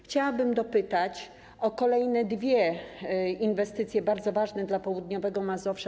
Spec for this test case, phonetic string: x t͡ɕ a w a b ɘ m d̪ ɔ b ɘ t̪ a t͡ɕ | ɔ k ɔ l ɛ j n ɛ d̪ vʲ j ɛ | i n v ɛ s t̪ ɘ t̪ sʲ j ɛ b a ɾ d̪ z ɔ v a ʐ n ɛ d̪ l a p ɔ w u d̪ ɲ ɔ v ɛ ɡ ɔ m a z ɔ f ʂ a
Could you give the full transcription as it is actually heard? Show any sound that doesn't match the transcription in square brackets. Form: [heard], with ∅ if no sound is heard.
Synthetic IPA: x t͡ɕ a w a b ɘ m d̪ ɔ [p] ɘ t̪ a t͡ɕ | ɔ k ɔ l ɛ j n ɛ d̪ vʲ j ɛ | i n v ɛ s t̪ ɘ t̪ sʲ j ɛ b a ɾ d̪ z ɔ v a ʐ n ɛ d̪ l a p ɔ w u d̪ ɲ ɔ v ɛ ɡ ɔ m a z ɔ f ʂ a